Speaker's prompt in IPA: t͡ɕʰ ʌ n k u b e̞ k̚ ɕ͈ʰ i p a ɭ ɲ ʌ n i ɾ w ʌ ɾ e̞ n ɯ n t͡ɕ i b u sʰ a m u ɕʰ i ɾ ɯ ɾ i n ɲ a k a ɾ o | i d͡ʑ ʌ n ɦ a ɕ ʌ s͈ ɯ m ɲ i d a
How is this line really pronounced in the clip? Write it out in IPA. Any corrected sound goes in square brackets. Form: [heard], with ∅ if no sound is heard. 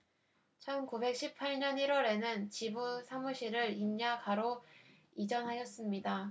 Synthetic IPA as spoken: t͡ɕʰ ʌ n k u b e̞ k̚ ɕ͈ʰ i [pʰ] a ɭ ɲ ʌ n i ɾ w ʌ ɾ e̞ n ɯ n t͡ɕ i b u sʰ a m u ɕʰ i ɾ ɯ ɾ i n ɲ a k a ɾ o | i d͡ʑ ʌ n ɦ a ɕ ʌ s͈ ɯ m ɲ i d a